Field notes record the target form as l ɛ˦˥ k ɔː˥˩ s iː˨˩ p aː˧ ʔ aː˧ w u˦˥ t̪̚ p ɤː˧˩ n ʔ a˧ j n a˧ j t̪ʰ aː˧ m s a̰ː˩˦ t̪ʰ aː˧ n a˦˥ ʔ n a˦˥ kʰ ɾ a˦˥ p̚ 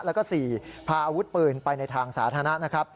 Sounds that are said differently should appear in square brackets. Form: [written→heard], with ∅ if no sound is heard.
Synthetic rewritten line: l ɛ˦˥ k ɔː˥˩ s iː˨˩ [p→pʰ] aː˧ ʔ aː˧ w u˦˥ t̪̚ p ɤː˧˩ n [ʔ→p] a˧ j n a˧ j t̪ʰ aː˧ [m→ŋ] s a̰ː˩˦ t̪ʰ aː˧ n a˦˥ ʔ n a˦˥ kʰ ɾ a˦˥ p̚